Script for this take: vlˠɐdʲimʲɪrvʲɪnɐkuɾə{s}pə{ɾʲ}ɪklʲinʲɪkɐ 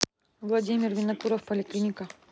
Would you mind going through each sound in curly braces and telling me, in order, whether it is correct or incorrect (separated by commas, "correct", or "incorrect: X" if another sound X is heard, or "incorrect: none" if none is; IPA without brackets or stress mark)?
incorrect: f, incorrect: lʲ